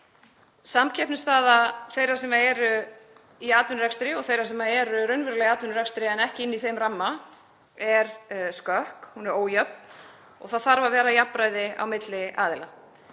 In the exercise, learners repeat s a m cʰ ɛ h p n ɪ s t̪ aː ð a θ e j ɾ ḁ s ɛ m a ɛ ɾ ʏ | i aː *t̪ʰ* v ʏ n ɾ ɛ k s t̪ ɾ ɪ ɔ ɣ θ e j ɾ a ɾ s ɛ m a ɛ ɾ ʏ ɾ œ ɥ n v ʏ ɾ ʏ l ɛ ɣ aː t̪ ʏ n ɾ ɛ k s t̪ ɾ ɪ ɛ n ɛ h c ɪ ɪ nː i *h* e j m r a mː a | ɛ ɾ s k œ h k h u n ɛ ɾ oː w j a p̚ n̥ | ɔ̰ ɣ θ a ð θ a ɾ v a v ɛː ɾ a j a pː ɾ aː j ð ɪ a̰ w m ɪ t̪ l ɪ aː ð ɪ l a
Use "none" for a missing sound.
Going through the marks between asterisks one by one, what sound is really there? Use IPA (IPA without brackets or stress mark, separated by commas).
t̪, θ